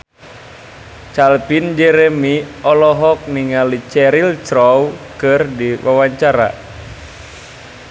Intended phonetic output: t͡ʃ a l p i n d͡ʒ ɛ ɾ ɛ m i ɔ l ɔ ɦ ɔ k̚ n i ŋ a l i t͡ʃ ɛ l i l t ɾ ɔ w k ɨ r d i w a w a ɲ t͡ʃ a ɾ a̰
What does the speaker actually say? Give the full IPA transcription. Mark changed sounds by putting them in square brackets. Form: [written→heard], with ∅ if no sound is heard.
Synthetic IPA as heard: t͡ʃ a l p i n d͡ʒ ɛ ɾ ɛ m i ɔ l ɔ ɦ ɔ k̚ n i ŋ a l i t͡ʃ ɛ [l→ɾ] i l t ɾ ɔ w k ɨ r d i w a w a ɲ t͡ʃ a ɾ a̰